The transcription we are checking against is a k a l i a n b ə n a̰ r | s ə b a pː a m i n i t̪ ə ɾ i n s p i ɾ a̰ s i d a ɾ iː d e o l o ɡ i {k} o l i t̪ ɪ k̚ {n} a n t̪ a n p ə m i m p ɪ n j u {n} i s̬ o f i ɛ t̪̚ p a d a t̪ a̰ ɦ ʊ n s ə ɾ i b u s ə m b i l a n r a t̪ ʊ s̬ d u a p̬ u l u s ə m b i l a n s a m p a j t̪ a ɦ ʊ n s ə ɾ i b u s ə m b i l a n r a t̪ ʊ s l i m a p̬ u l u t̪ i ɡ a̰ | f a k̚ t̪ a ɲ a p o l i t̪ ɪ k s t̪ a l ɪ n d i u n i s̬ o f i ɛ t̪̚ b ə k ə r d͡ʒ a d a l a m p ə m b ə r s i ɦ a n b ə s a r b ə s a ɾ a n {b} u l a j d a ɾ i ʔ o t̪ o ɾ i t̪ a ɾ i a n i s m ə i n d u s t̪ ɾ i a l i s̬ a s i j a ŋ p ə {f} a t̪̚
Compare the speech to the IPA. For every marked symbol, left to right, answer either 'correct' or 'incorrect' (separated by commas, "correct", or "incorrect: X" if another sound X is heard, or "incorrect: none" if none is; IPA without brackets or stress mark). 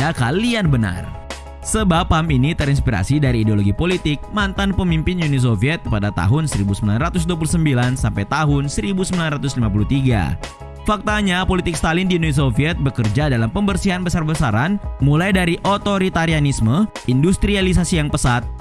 incorrect: p, incorrect: m, correct, incorrect: m, incorrect: s